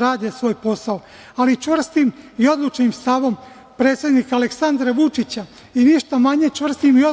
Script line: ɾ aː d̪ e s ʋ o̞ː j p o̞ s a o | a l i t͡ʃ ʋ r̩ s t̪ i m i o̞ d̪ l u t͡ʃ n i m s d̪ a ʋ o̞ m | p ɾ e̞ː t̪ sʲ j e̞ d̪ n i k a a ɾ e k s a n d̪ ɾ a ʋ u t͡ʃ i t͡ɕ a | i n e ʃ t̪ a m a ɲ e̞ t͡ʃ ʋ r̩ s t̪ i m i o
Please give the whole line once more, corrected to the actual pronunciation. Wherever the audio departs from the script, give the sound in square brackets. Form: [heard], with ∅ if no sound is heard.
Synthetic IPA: ɾ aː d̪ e s ʋ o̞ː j p o̞ s a o | a l i t͡ʃ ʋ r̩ s t̪ i m i o̞ d̪ l u t͡ʃ n i m s [t̪] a ʋ o̞ m | p ɾ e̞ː t̪ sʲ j e̞ d̪ n i k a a [l] e k s a n d̪ ɾ a ʋ u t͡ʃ i t͡ɕ a | i n [i] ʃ t̪ a m a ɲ e̞ t͡ʃ ʋ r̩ s t̪ i m i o

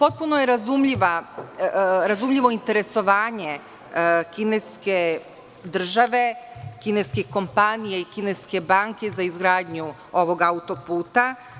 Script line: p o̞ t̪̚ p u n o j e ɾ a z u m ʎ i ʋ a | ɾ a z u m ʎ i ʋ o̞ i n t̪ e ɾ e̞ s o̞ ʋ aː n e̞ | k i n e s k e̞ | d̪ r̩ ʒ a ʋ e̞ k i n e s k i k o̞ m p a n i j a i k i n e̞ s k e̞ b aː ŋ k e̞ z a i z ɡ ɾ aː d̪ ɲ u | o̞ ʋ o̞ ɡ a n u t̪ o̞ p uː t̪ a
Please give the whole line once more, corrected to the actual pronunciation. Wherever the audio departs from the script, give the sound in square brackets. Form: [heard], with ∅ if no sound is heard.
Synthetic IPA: p o̞ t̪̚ p u n o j e ɾ a z u m ʎ i ʋ a | ɾ a z u m ʎ i ʋ o̞ i n t̪ e ɾ e̞ s o̞ ʋ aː [ɲ] e̞ | k i n e s k e̞ | d̪ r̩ ʒ a ʋ e̞ k i n e s k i k o̞ m p a n i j a i k i n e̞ s k e̞ b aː ŋ k e̞ z a i z ɡ ɾ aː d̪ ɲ u | o̞ ʋ o̞ ɡ a [∅] u t̪ o̞ p uː t̪ a

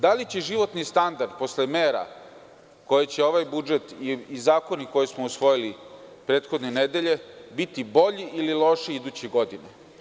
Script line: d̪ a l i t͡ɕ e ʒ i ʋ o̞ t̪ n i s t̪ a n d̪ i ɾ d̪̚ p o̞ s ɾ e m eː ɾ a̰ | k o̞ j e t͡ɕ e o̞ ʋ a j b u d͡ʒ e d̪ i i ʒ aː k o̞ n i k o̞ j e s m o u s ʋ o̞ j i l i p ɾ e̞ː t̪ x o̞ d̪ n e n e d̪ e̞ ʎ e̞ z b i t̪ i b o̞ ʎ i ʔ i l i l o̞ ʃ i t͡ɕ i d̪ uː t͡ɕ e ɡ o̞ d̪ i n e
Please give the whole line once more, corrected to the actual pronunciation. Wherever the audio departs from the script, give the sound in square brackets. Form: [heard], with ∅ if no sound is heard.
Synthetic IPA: d̪ a l i t͡ɕ e ʒ i ʋ o̞ t̪ n i s t̪ a n d̪ [a] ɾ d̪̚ p o̞ s [l] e m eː ɾ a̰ | k o̞ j e t͡ɕ e o̞ ʋ a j b u d͡ʒ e [t̪] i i [z] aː k o̞ n i k o̞ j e s m o u s ʋ o̞ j i l i p ɾ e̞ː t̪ x o̞ d̪ n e n e d̪ e̞ ʎ e̞ [∅] b i t̪ i b o̞ ʎ i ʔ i l i l o̞ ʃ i [∅] i d̪ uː t͡ɕ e ɡ o̞ d̪ i n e

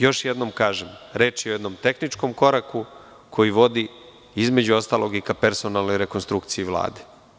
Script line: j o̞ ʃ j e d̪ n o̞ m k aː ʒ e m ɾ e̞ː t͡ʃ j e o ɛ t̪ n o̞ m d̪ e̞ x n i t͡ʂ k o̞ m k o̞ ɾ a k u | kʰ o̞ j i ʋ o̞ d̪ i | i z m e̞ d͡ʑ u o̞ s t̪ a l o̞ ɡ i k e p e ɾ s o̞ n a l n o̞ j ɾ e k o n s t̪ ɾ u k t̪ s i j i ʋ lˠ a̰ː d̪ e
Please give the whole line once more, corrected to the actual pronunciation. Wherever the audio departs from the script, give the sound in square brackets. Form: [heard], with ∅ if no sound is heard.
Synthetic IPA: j o̞ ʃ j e d̪ n o̞ m k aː ʒ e m ɾ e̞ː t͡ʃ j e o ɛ [d̪] n o̞ m [t̪] e̞ x n i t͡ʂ k o̞ m k o̞ ɾ a k u | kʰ o̞ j i ʋ o̞ d̪ i | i z m e̞ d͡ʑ u o̞ s t̪ a l o̞ ɡ i k [a] p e ɾ s o̞ n a l n o̞ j ɾ e k o n s t̪ ɾ u k t̪ s i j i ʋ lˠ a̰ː d̪ e

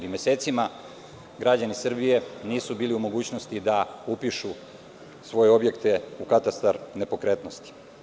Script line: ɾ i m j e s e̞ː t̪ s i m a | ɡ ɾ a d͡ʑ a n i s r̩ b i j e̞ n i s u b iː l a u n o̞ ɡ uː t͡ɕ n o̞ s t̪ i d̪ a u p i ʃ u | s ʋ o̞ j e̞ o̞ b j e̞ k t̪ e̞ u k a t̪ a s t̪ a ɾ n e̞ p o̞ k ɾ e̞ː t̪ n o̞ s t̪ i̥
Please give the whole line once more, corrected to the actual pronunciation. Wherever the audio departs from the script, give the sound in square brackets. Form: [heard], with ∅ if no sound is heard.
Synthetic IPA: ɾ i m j e s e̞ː t̪ s i m a | ɡ ɾ a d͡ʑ a n i s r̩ b i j e̞ n [iː] s u b iː l [i] u [m] o̞ ɡ uː t͡ɕ n o̞ s t̪ i d̪ a u p i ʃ u | s ʋ o̞ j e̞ o̞ b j e̞ k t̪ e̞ u k a t̪ a s t̪ a ɾ n e̞ p o̞ k ɾ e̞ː t̪ n o̞ s t̪ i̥

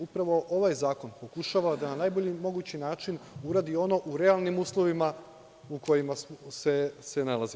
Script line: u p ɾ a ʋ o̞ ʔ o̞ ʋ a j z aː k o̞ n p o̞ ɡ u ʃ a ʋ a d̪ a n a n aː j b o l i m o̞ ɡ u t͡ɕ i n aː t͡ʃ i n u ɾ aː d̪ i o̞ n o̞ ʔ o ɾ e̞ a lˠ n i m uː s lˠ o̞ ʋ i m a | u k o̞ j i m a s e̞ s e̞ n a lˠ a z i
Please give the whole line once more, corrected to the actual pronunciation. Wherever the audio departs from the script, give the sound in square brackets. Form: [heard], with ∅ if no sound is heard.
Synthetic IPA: u p ɾ a ʋ o̞ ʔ o̞ ʋ a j z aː k o̞ n p o̞ [k] u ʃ a ʋ a d̪ a n a n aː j b o [ʎ] i m o̞ ɡ u t͡ɕ i n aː t͡ʃ i n u ɾ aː d̪ i o̞ n o̞ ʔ [u] ɾ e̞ a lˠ n i m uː s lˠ o̞ ʋ i m a | u k o̞ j i m a s e̞ s e̞ n a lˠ a z i

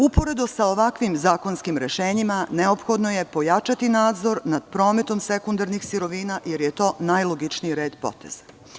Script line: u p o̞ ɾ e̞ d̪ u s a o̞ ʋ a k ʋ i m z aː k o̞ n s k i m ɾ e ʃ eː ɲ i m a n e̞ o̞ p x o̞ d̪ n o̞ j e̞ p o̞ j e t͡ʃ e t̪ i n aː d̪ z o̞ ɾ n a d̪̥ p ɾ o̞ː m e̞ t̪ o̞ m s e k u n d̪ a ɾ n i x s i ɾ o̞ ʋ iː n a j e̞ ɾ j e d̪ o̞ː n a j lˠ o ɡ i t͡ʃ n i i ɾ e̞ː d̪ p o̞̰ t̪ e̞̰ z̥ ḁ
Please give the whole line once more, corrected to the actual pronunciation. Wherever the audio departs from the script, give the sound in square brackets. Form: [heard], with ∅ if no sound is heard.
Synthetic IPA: u p o̞ ɾ e̞ d̪ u s a o̞ ʋ a k ʋ i m z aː k o̞ n s k i m ɾ e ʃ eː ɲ i m a n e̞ o̞ p x o̞ d̪ n o̞ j e̞ p o̞ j [a] t͡ʃ [a] t̪ i n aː d̪ z o̞ ɾ n a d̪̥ p ɾ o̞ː m e̞ t̪ o̞ m s e k u n d̪ a ɾ n i x s i ɾ o̞ ʋ iː n a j e̞ ɾ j e [t̪] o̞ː n a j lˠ o ɡ i t͡ʃ n i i ɾ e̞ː d̪ p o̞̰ t̪ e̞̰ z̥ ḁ

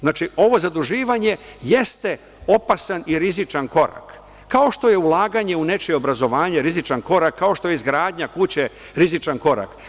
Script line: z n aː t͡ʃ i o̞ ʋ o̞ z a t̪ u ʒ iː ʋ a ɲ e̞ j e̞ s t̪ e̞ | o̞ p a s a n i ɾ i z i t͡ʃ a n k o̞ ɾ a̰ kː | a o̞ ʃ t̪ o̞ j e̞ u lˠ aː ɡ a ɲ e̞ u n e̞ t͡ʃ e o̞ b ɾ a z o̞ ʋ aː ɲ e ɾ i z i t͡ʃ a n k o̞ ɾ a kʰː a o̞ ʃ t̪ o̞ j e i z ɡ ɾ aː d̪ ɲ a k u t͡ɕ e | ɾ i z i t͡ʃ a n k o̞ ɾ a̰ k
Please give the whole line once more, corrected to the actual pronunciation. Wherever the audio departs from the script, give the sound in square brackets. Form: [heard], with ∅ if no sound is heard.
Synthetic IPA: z n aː t͡ʃ i o̞ ʋ o̞ z a [d̪] u ʒ iː ʋ a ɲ e̞ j e̞ s t̪ e̞ | o̞ p a s a n i ɾ i z i t͡ʃ a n k o̞ ɾ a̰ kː | a o̞ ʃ t̪ o̞ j e̞ u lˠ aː ɡ a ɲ e̞ u n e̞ t͡ʃ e o̞ b ɾ a z o̞ ʋ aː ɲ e ɾ i z i t͡ʃ a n k o̞ ɾ a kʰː a o̞ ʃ t̪ o̞ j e i z ɡ ɾ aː d̪ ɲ a k u t͡ɕ e | ɾ i z i t͡ʃ a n k o̞ ɾ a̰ k

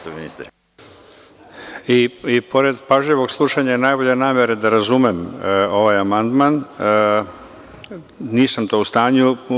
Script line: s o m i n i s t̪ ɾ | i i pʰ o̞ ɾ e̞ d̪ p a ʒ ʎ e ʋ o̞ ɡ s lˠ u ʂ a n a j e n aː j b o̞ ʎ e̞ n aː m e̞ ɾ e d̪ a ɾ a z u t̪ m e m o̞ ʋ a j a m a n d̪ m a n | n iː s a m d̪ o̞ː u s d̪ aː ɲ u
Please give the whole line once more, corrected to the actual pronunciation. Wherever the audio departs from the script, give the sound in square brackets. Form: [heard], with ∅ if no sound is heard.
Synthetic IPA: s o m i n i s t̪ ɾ | i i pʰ o̞ ɾ e̞ d̪ p a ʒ ʎ e ʋ o̞ ɡ s lˠ u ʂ a [ɲ] a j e n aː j b o̞ ʎ e̞ n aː m e̞ ɾ e d̪ a ɾ a z u [∅] m e m o̞ ʋ a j a m a n d̪ m a n | n iː s a m [t̪] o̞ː u s [t̪] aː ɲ u

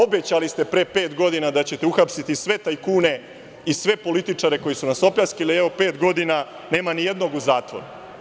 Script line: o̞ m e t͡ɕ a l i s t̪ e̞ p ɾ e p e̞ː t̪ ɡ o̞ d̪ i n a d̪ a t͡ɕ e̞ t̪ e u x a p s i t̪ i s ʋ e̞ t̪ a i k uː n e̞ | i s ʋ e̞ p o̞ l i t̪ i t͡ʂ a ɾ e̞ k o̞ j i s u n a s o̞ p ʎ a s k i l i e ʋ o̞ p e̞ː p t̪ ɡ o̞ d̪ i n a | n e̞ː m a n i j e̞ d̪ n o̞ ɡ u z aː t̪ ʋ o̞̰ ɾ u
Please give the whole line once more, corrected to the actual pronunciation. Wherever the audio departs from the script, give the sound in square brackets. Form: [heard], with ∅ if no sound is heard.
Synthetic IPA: o̞ [b] e t͡ɕ a l i s t̪ e̞ p ɾ e p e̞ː t̪ ɡ o̞ d̪ i n a d̪ a t͡ɕ e̞ t̪ e u x a p s i t̪ i s ʋ e̞ t̪ a i k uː n e̞ | i s ʋ e̞ p o̞ l i t̪ i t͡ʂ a ɾ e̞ k o̞ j i s u n a s o̞ p ʎ a s k i l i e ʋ o̞ p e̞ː [∅] t̪ ɡ o̞ d̪ i n a | n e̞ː m a n i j e̞ d̪ n o̞ ɡ u z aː t̪ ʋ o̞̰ ɾ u

